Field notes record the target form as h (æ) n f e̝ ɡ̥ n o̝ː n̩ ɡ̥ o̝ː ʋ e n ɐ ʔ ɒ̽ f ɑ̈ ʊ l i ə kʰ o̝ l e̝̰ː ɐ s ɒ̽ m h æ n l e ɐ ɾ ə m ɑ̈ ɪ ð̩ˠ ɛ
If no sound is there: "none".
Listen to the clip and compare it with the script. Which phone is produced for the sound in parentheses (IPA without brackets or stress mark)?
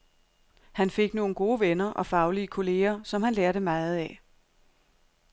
æ